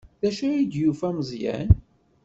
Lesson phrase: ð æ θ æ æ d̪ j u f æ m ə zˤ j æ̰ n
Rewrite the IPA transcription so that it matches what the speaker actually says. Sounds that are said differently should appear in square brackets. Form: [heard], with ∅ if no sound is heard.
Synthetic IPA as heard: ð æ [ʃ] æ [i] d̪ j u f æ m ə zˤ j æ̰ n